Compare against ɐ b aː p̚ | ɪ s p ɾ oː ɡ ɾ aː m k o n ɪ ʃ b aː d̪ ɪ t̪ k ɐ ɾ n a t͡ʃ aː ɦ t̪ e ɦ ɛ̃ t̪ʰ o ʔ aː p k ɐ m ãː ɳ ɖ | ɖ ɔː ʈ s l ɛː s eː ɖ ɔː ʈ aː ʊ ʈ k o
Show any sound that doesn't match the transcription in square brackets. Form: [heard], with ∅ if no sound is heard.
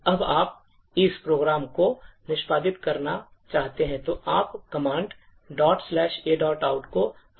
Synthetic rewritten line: ɐ b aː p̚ | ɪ s p ɾ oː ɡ ɾ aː m k o n ɪ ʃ [p] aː d̪ ɪ t̪ k ɐ ɾ n a t͡ʃ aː ɦ t̪ e ɦ ɛ̃ [t̪] o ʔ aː p k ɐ m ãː ɳ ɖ | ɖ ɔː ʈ s l ɛː [ʃ] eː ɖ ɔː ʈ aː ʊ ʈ k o

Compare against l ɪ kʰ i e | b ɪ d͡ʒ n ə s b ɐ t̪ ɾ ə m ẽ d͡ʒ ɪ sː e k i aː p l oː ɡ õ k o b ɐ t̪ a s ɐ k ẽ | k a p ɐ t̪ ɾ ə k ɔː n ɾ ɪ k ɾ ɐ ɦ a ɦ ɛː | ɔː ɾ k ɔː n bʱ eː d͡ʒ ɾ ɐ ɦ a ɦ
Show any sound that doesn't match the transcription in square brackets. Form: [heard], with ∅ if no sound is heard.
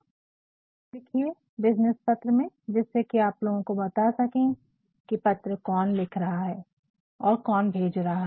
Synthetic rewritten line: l ɪ kʰ i e | b ɪ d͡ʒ n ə s [p] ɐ t̪ ɾ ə m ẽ d͡ʒ ɪ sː e k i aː p l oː ɡ õ k o b ɐ t̪ a s ɐ k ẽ | k [i] p ɐ t̪ ɾ ə k ɔː n [l] ɪ [kʰ] ɾ ɐ ɦ a ɦ ɛː | ɔː ɾ k ɔː n bʱ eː d͡ʒ ɾ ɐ ɦ a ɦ

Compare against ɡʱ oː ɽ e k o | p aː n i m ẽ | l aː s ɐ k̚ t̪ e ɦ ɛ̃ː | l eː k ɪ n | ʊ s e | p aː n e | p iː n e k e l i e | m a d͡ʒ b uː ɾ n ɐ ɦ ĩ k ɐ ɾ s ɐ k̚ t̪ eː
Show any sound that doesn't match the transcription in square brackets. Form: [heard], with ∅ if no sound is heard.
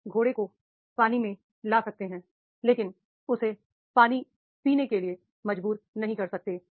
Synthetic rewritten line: ɡʱ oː ɽ e k o | p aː n i m ẽ | l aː s ɐ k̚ t̪ e ɦ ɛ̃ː | l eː k ɪ n | ʊ s e | p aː n [i] | p iː n e k e l i e | m [ɐ] d͡ʒ b uː ɾ n ɐ ɦ ĩ k ɐ ɾ s ɐ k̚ t̪ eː

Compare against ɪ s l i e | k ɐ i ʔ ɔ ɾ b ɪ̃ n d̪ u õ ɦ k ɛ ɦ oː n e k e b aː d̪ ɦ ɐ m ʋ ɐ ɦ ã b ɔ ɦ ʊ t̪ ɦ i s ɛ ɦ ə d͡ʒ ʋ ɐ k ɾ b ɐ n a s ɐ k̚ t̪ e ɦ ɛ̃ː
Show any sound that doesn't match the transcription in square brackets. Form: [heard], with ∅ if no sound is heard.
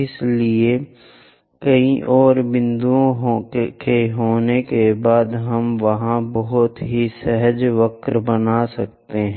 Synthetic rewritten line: ɪ s l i e | k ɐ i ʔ [ɔː] ɾ b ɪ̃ n d̪ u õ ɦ k [e] ɦ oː n e k e b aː d̪ ɦ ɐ m ʋ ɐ ɦ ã b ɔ ɦ ʊ t̪ ɦ i s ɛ ɦ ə d͡ʒ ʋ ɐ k ɾ b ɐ n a s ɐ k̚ t̪ e ɦ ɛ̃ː

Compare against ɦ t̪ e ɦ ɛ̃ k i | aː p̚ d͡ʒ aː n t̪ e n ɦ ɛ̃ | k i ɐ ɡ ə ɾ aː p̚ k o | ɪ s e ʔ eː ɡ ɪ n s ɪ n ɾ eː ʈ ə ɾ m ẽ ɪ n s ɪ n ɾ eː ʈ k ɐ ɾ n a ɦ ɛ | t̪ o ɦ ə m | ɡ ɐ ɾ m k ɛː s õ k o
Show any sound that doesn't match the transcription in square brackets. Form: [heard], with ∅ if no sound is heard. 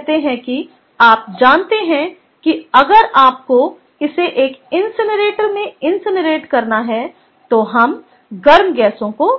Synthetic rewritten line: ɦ t̪ e ɦ ɛ̃ k i | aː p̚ d͡ʒ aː n t̪ e [∅] ɦ ɛ̃ | k i ɐ ɡ ə ɾ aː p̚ k o | ɪ s e ʔ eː [k] ɪ n s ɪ n ɾ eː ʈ ə ɾ m ẽ ɪ n s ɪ n ɾ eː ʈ k ɐ ɾ n a ɦ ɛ | t̪ o ɦ [ɐ] m | ɡ ɐ ɾ m [ɡ] ɛː s õ k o

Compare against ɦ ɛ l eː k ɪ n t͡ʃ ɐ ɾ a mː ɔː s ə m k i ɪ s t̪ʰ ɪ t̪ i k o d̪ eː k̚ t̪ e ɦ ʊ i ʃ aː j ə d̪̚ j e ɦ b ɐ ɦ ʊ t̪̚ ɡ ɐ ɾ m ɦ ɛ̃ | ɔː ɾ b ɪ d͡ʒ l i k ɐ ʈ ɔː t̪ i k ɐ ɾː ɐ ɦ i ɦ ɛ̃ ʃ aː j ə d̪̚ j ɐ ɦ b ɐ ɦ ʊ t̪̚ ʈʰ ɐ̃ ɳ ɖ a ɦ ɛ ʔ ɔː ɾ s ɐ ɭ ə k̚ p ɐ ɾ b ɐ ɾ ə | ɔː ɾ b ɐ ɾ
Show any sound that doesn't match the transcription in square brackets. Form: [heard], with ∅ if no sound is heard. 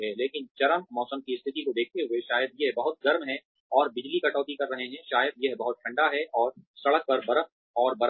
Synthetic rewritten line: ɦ ɛ l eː k ɪ n t͡ʃ ɐ ɾ [ə] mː ɔː s ə m k i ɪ s t̪ʰ ɪ t̪ i k o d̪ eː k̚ t̪ e ɦ ʊ [e] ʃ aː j ə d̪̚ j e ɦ b ɐ ɦ ʊ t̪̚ ɡ ɐ ɾ m ɦ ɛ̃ | ɔː ɾ b ɪ d͡ʒ l i k ɐ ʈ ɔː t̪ i k ɐ ɾː ɐ ɦ [e] ɦ ɛ̃ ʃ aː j ə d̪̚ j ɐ ɦ b ɐ ɦ ʊ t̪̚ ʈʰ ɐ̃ ɳ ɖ a ɦ ɛ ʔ ɔː ɾ s ɐ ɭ ə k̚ p ɐ ɾ b ɐ ɾ ə | ɔː ɾ b ɐ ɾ

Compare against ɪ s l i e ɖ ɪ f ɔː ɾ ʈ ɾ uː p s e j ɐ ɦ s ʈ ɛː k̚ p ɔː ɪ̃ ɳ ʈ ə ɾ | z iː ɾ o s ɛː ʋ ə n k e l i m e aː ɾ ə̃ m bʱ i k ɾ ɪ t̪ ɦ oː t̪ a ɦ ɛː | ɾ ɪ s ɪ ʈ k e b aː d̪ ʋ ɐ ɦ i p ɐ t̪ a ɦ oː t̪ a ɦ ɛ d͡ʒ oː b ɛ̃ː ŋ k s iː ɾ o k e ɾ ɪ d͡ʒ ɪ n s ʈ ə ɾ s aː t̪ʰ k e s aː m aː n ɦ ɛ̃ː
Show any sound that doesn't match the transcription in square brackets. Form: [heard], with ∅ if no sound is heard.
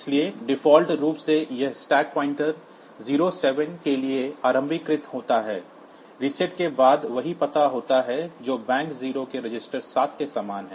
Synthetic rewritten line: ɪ s l i e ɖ ɪ f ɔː [l] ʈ ɾ uː p s e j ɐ ɦ s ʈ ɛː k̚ p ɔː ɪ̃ ɳ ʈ ə ɾ | z iː ɾ o s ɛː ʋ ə n k e l i [∅] e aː ɾ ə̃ m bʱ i k ɾ ɪ t̪ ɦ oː t̪ a ɦ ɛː | ɾ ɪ s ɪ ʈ k e b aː d̪ ʋ ɐ ɦ i p ɐ t̪ a ɦ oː t̪ a ɦ ɛ d͡ʒ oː b ɛ̃ː ŋ k [z] iː ɾ o k e ɾ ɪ d͡ʒ ɪ [∅] s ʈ ə ɾ s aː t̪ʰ k e s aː m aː n ɦ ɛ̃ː

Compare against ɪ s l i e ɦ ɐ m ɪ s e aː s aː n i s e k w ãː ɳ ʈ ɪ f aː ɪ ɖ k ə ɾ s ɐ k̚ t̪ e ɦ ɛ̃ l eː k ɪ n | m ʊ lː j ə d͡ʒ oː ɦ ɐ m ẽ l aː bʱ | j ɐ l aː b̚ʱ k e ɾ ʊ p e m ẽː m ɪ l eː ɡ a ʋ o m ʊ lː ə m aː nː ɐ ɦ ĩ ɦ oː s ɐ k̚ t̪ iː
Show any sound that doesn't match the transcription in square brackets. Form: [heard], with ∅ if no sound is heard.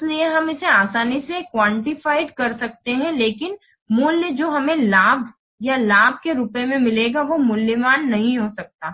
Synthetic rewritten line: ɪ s l i e ɦ ɐ m ɪ s e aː s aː n i s e k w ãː ɳ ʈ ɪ f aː ɪ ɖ k [ɐ] ɾ s ɐ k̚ t̪ e ɦ ɛ̃ l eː k ɪ n | m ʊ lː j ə d͡ʒ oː ɦ ɐ m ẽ l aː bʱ | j [a] l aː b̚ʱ k e ɾ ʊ p e m [ẽ] m ɪ l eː ɡ a ʋ o m ʊ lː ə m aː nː ɐ ɦ ĩ ɦ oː s ɐ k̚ t̪ [aː]

